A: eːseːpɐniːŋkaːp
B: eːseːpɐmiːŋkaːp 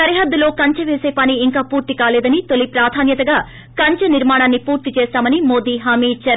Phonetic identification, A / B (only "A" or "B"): A